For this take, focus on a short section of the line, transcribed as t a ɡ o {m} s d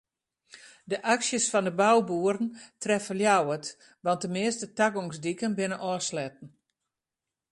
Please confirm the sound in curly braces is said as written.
no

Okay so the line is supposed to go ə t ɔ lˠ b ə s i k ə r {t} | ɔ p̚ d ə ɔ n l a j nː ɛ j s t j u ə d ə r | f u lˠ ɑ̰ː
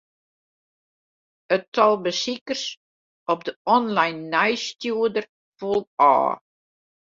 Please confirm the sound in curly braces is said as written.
no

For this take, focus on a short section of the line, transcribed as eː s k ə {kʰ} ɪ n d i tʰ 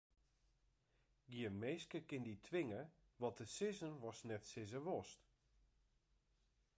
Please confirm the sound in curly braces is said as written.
no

